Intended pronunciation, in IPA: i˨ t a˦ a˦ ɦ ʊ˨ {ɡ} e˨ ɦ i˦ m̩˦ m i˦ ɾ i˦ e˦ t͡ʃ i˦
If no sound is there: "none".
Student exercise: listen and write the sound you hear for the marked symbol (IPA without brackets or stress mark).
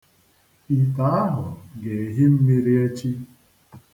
ɡ